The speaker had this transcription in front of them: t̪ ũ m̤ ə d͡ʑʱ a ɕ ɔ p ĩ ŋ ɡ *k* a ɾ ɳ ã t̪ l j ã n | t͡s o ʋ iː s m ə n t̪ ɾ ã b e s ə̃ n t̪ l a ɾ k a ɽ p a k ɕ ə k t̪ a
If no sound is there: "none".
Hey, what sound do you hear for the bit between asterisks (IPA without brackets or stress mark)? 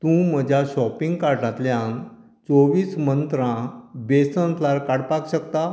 k